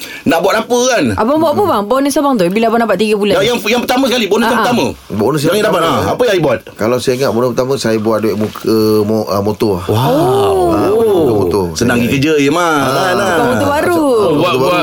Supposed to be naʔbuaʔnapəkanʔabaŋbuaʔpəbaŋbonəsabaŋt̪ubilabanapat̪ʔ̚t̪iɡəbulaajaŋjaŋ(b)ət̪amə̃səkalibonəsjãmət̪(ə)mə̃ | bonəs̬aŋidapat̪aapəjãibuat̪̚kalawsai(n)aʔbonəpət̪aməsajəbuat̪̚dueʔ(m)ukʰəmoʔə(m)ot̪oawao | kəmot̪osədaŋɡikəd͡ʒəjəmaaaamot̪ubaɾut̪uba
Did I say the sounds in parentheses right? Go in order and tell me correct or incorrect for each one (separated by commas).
incorrect, incorrect, incorrect, correct, correct